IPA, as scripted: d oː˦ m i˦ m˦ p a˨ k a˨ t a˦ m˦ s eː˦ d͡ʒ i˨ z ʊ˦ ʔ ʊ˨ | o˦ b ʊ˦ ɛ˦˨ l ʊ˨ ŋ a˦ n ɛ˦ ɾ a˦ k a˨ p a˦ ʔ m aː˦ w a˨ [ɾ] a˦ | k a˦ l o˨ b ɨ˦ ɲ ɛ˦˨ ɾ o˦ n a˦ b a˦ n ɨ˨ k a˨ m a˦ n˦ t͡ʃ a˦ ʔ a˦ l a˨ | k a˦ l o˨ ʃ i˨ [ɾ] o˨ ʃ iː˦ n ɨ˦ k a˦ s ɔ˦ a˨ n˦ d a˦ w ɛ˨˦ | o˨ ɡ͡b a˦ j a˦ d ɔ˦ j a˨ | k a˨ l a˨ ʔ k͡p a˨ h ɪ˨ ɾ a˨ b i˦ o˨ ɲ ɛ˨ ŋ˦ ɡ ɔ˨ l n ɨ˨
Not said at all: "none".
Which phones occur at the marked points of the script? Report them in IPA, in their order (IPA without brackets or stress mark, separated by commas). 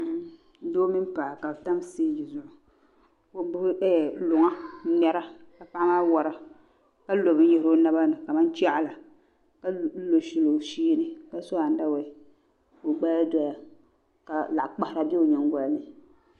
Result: ɾ, l